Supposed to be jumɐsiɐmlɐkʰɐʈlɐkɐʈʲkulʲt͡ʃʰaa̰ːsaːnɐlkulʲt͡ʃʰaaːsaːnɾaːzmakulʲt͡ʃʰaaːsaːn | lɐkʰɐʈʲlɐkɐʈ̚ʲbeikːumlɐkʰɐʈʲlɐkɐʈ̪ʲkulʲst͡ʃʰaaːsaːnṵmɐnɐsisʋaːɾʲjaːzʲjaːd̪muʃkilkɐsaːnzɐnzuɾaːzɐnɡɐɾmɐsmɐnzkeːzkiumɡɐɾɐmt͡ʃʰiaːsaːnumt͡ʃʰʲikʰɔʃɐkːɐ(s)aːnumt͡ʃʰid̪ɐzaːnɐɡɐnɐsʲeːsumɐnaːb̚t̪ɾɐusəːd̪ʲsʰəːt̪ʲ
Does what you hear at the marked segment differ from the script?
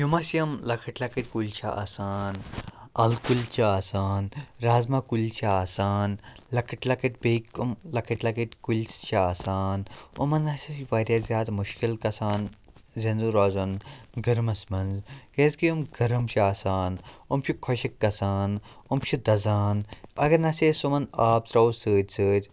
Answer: no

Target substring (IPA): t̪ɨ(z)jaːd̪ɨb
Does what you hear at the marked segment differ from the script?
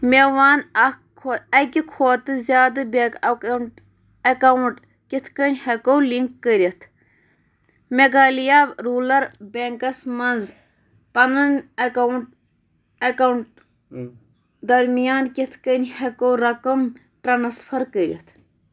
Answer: no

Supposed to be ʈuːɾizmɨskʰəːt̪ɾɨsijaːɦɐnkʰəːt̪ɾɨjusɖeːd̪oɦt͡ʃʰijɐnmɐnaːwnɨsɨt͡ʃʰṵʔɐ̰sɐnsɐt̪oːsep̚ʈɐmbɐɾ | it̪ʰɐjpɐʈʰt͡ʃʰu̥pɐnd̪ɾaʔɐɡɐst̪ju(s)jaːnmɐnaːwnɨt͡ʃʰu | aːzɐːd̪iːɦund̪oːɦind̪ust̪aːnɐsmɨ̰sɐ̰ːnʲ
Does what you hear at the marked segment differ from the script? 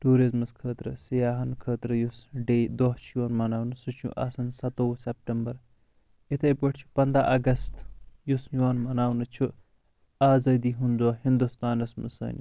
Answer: no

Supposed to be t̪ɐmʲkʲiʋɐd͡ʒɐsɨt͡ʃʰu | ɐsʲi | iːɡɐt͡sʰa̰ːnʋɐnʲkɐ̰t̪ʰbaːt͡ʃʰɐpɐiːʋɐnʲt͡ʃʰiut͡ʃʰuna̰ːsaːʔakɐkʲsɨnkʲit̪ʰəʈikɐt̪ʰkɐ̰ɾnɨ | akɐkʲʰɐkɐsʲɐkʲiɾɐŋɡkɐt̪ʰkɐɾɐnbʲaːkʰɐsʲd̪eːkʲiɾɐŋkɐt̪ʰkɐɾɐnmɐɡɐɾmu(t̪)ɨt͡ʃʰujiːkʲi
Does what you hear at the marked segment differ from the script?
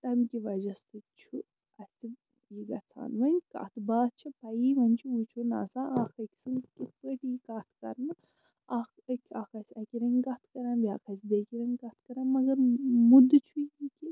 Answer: yes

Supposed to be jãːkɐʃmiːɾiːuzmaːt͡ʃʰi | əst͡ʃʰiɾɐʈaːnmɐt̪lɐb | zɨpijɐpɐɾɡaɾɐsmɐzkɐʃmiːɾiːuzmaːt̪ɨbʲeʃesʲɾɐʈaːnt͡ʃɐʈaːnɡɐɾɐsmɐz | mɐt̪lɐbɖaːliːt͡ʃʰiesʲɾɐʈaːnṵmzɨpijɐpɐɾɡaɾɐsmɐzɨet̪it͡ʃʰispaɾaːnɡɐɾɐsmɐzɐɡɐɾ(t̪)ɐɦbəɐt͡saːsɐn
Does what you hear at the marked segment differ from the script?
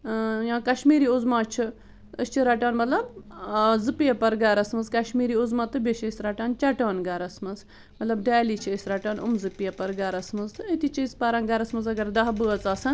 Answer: yes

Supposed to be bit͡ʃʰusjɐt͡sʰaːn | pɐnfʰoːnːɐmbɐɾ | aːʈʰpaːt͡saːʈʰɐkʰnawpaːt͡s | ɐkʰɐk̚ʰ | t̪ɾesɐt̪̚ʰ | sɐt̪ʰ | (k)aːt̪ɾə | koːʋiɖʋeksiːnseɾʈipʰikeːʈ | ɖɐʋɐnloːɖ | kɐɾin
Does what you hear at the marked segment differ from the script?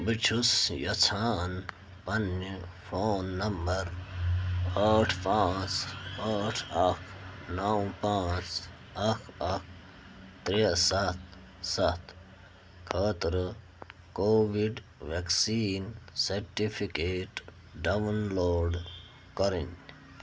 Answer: yes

